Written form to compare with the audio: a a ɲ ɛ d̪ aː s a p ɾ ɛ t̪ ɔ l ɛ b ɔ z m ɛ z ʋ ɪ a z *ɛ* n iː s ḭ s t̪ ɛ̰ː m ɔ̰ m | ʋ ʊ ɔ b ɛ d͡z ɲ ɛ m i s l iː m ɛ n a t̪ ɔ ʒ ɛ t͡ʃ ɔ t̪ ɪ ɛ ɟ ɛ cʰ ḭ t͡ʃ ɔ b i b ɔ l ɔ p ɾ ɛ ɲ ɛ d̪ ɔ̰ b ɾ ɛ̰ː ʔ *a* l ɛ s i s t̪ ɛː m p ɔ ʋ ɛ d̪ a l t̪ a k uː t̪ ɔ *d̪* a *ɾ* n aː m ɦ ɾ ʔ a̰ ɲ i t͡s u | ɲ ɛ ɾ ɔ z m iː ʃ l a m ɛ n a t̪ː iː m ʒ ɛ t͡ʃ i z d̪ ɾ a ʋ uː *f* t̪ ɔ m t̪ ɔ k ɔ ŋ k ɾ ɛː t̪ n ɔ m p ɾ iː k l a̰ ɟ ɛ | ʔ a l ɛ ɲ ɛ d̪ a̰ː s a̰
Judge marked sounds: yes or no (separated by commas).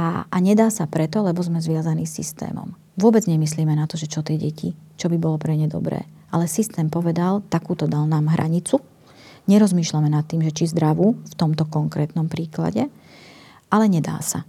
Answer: no, yes, yes, no, yes